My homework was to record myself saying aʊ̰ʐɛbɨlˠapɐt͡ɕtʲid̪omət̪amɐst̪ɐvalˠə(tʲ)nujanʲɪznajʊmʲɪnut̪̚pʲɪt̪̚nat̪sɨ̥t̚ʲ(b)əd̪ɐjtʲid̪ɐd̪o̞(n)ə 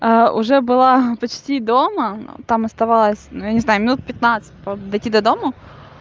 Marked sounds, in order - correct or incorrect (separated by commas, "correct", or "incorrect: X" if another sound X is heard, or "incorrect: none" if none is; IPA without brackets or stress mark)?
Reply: incorrect: sʲ, incorrect: p, incorrect: m